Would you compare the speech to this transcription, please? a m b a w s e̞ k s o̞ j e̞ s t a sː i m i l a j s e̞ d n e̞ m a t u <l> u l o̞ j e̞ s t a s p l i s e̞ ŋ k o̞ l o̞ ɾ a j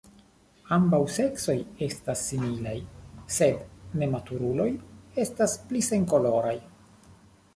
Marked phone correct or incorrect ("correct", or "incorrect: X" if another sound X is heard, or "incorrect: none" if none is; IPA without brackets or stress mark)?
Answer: incorrect: ɾ